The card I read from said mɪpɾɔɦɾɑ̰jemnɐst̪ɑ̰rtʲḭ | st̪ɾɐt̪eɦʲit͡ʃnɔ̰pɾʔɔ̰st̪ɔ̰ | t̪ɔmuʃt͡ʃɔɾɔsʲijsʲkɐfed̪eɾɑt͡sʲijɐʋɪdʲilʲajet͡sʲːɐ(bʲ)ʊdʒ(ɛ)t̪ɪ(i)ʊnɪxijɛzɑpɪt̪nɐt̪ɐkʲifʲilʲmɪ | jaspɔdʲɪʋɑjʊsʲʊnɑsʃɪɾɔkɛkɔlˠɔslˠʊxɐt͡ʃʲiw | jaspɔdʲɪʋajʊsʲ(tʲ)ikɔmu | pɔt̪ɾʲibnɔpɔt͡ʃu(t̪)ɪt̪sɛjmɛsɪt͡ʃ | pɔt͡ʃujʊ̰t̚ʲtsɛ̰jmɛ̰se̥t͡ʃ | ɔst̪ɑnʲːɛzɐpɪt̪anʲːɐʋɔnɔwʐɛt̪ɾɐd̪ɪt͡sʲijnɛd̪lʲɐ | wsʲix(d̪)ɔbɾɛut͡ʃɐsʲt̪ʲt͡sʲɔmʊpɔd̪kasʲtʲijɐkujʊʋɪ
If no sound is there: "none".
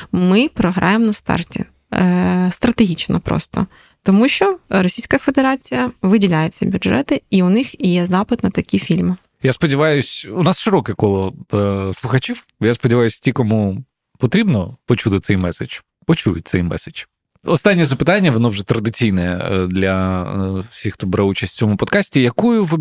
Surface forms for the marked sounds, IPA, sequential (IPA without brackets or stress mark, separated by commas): bʲ, ɛ, i, tʲ, t̪, t̪